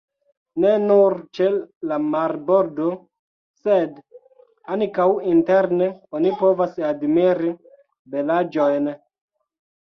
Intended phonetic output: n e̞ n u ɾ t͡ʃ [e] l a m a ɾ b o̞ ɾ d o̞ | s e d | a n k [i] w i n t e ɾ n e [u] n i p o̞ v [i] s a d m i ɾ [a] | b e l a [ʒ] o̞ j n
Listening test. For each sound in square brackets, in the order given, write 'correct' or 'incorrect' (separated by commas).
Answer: correct, incorrect, incorrect, incorrect, incorrect, incorrect